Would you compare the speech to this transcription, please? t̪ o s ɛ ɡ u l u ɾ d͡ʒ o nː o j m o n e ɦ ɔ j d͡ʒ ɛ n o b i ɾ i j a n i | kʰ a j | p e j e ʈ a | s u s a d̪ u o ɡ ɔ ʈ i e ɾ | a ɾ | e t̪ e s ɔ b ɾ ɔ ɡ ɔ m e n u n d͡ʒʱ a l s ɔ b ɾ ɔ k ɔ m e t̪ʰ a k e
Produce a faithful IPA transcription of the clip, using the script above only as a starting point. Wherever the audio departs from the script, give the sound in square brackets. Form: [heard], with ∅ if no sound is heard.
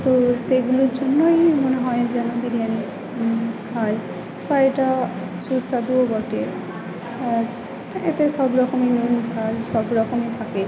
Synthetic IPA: t̪ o s [e] ɡ u l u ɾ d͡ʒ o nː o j m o n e ɦ ɔ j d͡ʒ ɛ n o b i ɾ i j a n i | kʰ a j | p [a] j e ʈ a | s u s a d̪ u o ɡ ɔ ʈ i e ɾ | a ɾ | e t̪ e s ɔ b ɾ ɔ [k] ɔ m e n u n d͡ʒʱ a l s ɔ b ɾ ɔ k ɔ m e t̪ʰ a k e